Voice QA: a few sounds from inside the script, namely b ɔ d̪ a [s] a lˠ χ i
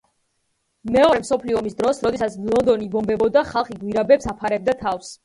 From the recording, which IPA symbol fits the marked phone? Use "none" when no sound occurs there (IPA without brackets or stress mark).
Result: χ